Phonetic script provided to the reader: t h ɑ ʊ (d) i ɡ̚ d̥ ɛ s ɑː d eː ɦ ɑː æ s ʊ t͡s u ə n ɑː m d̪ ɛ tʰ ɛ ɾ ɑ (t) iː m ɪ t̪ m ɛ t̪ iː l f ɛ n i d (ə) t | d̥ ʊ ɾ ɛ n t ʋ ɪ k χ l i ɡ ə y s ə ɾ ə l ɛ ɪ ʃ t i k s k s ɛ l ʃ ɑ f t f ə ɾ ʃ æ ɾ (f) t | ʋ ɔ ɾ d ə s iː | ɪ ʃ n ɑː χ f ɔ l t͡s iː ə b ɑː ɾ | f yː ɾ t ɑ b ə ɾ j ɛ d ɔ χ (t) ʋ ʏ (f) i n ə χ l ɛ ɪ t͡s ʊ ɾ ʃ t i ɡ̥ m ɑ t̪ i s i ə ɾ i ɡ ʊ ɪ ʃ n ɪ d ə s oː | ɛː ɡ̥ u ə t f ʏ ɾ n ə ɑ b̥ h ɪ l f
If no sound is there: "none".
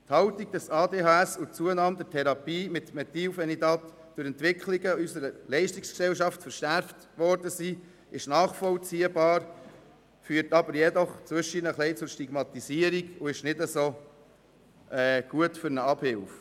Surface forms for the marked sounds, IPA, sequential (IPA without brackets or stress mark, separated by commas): t, p, ɑ, f, t͡s, ʃ